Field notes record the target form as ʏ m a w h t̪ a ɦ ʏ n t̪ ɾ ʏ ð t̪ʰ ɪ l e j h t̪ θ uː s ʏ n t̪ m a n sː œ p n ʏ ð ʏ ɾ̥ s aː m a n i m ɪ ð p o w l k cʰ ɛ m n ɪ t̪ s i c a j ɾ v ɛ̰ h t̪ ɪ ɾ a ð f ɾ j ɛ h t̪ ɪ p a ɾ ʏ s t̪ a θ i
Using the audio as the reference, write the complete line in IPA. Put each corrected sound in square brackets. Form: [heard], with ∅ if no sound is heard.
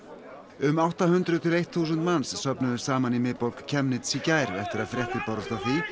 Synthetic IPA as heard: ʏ m a w h t̪ a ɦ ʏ n t̪ ɾ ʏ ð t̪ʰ ɪ l e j h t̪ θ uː s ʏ n t̪ m a n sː œ p n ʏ ð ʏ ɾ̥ s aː m a n i m ɪ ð p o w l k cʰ ɛ m n ɪ t̪ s i c a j ɾ v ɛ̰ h t̪ ɪ ɾ a ð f ɾ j ɛ h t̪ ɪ p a ɾ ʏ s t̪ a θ i